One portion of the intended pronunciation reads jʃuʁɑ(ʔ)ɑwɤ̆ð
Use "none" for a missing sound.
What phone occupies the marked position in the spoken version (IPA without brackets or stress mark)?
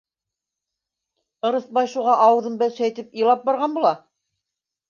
ʔ